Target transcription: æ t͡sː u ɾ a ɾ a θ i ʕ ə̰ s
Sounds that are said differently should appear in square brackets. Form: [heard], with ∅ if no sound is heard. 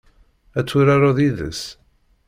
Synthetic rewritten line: æ t͡sː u ɾ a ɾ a [ð] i [ð] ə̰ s